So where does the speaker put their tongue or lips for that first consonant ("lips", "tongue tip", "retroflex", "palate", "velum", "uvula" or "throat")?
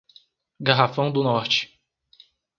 velum